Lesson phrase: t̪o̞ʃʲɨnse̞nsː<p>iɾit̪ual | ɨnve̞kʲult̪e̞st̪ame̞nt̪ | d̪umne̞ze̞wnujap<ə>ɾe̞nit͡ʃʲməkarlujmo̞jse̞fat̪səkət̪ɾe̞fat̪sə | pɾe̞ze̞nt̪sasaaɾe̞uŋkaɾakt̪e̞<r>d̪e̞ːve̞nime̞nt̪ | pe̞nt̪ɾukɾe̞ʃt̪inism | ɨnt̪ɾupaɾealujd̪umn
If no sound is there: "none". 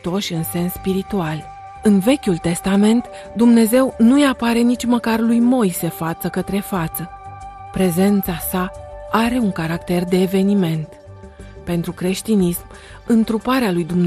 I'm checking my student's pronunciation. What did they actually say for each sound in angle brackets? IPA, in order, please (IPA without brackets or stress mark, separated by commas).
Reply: p, a, r